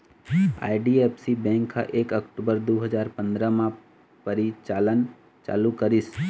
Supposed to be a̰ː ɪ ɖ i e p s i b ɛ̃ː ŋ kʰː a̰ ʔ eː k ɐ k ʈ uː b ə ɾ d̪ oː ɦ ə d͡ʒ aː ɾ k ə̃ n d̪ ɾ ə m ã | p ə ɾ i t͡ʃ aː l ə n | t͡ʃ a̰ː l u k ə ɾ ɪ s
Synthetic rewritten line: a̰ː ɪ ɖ i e p s i b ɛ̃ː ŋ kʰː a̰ ʔ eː k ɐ k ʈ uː b ə ɾ d̪ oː ɦ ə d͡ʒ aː ɾ p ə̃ n d̪ ɾ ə m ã | p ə ɾ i t͡ʃ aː l ə n | t͡ʃ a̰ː l u k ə ɾ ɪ s